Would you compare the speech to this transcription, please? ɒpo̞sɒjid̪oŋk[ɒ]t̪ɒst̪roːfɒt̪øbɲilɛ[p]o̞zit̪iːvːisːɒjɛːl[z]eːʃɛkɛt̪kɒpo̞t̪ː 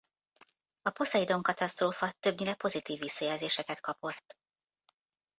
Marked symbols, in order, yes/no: yes, yes, yes

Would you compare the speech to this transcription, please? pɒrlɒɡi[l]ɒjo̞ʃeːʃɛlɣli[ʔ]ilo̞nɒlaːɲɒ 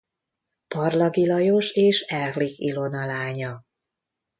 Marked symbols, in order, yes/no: yes, no

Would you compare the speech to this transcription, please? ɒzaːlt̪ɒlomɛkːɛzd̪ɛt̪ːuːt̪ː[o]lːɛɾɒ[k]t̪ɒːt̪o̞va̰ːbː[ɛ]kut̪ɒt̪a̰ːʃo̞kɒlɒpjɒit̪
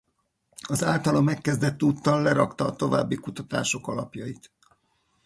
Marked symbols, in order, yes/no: no, yes, no

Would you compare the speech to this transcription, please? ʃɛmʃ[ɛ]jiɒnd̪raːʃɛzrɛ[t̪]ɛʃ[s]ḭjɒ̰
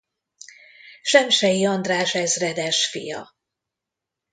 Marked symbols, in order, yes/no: yes, no, no

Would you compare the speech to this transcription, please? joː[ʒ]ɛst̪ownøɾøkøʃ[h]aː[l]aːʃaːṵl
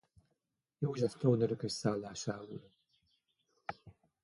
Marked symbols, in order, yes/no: yes, no, no

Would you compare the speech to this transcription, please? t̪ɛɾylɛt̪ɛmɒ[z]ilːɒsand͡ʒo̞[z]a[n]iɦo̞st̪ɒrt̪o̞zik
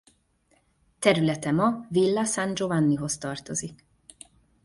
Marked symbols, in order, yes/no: no, no, no

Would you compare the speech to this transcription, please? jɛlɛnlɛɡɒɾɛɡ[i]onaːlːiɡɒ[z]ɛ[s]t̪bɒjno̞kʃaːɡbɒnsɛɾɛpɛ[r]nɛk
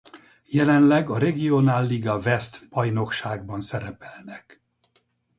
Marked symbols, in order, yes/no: yes, no, yes, no

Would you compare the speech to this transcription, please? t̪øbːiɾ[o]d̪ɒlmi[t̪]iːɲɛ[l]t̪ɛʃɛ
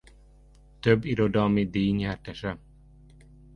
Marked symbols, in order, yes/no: yes, no, no

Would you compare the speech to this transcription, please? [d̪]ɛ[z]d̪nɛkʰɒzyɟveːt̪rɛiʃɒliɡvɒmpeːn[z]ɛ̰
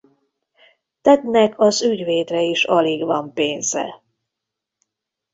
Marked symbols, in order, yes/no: no, no, yes

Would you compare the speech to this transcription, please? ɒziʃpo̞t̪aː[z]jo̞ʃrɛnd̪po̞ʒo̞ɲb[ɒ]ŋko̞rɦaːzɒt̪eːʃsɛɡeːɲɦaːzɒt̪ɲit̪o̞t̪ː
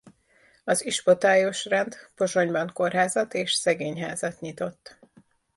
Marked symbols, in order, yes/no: no, yes

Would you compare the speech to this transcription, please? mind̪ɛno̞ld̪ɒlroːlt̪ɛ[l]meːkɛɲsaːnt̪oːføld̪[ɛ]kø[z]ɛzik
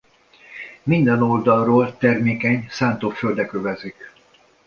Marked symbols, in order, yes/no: no, yes, no

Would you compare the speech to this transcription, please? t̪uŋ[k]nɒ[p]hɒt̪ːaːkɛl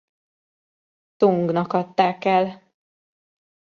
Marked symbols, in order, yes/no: no, no

